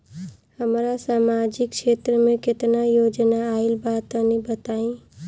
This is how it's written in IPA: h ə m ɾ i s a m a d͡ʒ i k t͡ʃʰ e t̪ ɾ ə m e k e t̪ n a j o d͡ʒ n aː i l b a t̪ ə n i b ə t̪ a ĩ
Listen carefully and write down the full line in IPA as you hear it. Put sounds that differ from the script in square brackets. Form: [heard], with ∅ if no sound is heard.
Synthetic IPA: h ə m ɾ [a] s a m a d͡ʒ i k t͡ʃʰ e t̪ ɾ ə m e k e t̪ n a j o d͡ʒ n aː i l b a t̪ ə n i b ə t̪ a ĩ